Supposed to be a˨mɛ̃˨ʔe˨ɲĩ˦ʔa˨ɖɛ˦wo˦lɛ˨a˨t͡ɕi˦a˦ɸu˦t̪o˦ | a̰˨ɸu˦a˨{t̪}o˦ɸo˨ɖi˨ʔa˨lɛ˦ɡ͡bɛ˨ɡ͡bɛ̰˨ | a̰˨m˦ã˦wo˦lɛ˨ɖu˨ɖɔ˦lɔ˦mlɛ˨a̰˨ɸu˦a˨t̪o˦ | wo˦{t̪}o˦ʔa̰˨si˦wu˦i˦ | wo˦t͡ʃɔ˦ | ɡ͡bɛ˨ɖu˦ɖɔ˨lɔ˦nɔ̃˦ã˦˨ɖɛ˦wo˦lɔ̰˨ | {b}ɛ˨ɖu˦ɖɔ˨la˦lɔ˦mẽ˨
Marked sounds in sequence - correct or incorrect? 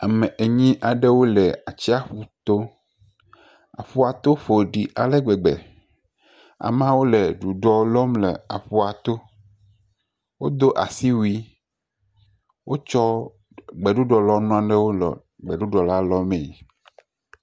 correct, incorrect, incorrect

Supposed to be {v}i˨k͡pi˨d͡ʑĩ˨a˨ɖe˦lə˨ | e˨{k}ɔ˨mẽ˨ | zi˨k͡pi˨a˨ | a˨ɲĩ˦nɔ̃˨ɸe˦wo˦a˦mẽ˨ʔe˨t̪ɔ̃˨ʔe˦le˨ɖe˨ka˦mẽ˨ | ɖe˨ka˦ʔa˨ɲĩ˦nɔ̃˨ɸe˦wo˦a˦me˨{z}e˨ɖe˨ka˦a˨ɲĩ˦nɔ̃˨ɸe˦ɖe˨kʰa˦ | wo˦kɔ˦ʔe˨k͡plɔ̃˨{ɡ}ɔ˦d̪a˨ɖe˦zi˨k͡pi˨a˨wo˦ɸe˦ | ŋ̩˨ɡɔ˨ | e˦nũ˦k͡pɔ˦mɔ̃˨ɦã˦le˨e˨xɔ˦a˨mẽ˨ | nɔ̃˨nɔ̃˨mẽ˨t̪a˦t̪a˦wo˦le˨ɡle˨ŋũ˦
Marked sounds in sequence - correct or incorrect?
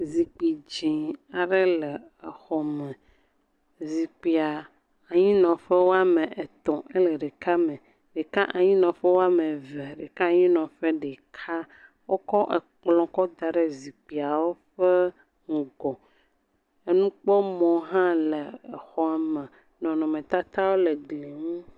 incorrect, incorrect, incorrect, incorrect

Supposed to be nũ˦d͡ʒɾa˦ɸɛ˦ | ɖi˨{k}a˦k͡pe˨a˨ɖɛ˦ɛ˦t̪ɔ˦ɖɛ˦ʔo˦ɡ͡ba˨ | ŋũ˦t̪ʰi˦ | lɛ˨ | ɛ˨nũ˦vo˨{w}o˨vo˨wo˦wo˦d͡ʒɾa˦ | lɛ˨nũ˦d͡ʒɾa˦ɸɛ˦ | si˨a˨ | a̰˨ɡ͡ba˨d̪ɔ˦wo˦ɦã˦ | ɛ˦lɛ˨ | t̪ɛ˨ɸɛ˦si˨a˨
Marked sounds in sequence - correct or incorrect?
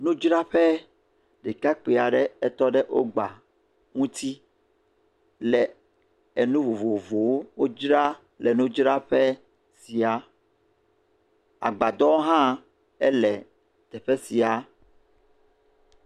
correct, incorrect

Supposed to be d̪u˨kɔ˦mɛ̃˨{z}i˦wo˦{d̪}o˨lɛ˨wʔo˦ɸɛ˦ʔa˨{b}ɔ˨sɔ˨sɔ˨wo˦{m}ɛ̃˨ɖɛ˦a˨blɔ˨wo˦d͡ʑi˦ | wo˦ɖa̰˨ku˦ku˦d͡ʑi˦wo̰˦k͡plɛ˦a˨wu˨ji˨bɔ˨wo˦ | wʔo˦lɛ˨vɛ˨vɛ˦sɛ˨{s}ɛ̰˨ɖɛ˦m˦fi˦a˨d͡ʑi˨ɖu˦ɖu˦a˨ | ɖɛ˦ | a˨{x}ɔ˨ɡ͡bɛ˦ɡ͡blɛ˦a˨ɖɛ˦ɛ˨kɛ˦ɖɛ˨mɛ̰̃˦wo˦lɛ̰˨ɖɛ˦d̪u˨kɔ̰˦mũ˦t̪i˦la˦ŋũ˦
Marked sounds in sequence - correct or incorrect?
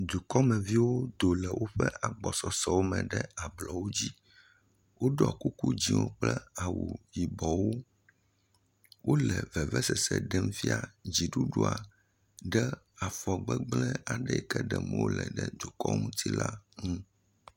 incorrect, correct, incorrect, correct, correct, incorrect

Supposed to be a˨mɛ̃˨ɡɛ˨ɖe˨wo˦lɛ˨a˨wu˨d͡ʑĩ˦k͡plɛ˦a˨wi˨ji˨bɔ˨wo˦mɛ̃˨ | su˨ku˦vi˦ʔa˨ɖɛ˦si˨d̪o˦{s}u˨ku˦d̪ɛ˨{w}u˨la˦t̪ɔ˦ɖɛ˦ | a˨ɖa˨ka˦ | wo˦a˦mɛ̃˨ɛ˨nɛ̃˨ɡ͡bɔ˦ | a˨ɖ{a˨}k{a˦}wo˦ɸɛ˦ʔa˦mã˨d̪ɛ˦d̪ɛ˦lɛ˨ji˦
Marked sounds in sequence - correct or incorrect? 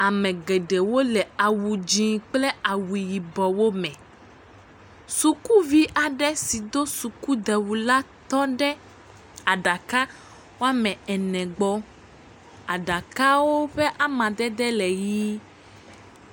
correct, correct, correct, correct

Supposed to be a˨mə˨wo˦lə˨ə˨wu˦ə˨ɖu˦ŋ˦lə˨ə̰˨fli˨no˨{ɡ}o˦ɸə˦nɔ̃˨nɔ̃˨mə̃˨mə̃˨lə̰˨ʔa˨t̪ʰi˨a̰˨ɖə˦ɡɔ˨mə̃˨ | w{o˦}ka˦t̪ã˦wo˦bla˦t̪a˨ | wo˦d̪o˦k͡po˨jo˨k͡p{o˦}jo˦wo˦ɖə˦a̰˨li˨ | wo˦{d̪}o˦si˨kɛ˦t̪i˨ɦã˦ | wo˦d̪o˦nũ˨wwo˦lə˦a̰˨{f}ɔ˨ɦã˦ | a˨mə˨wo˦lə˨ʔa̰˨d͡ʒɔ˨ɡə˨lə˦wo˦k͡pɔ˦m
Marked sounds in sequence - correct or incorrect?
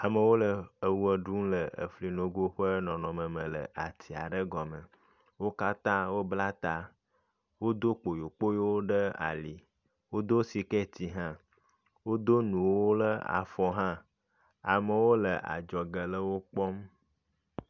correct, correct, correct, correct, correct

